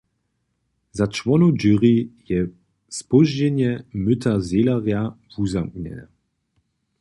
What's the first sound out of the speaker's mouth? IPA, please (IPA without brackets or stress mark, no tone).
z